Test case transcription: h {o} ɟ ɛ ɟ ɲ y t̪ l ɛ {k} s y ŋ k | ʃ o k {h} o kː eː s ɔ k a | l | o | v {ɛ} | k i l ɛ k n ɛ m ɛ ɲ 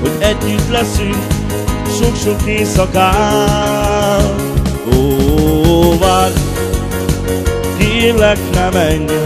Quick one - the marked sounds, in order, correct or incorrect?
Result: correct, incorrect: none, incorrect: ʃ, incorrect: a

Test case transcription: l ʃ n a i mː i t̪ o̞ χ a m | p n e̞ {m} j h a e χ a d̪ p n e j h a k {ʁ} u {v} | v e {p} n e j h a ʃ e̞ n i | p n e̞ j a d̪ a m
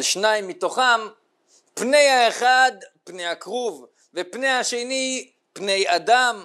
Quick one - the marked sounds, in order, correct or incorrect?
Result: incorrect: none, correct, correct, correct

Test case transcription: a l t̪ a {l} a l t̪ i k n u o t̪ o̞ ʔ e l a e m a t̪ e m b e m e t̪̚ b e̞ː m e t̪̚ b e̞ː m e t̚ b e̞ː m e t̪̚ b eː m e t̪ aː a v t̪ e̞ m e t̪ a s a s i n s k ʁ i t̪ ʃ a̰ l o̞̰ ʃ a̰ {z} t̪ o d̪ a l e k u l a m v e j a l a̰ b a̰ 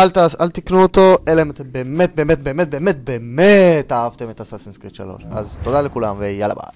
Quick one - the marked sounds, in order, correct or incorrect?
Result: incorrect: none, correct

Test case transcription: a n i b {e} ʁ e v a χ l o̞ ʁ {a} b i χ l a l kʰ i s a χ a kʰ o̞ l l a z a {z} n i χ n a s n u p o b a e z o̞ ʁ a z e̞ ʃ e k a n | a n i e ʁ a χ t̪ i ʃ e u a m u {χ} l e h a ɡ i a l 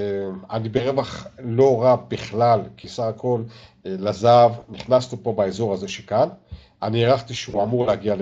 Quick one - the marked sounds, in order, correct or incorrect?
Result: correct, correct, incorrect: v, incorrect: ʁ

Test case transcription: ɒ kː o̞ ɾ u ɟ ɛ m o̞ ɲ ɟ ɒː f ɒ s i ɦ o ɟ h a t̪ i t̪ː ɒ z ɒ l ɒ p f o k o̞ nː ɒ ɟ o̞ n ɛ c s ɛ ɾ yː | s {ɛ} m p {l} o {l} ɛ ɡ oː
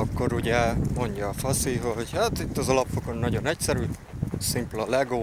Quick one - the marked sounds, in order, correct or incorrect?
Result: incorrect: i, correct, correct

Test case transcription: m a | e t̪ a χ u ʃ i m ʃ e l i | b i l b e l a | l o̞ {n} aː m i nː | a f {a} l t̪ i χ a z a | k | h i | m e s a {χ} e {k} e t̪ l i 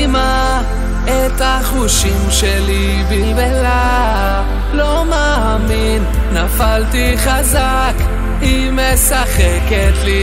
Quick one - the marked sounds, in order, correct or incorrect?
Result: incorrect: m, correct, correct, correct

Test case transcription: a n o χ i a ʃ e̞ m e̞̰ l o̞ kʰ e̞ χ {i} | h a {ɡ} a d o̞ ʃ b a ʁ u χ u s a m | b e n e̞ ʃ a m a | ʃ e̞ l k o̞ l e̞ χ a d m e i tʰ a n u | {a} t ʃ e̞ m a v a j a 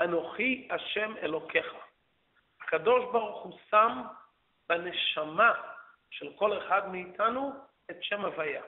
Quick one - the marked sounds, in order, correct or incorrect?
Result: incorrect: a, incorrect: k, incorrect: e

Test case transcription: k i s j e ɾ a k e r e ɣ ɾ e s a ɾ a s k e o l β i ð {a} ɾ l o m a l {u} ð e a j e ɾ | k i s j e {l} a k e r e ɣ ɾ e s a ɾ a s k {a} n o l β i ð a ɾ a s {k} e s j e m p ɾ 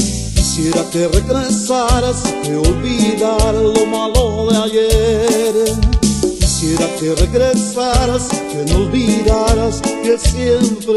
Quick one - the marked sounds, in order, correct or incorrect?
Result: correct, incorrect: o, incorrect: ɾ, incorrect: e, correct

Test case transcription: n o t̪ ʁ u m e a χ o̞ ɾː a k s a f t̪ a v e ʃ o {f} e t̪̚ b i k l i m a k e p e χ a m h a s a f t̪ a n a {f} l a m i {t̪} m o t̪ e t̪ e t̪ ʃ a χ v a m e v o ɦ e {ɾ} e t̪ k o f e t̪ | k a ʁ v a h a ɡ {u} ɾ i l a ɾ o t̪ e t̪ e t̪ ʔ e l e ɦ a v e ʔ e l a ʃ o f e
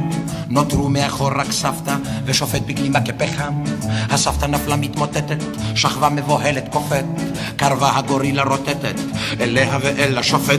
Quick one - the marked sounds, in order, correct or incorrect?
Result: correct, correct, correct, incorrect: l, incorrect: o

